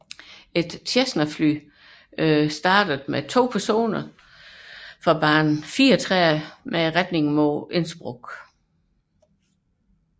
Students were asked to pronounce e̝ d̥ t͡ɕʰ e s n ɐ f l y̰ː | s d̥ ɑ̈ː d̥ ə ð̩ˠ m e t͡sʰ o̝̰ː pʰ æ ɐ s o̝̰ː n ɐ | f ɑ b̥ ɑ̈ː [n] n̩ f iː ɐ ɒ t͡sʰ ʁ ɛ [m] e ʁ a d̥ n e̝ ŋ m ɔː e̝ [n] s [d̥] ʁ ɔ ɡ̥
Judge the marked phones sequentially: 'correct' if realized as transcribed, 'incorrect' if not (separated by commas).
correct, correct, correct, incorrect